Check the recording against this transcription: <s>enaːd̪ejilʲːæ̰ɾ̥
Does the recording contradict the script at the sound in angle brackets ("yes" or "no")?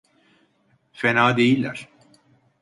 yes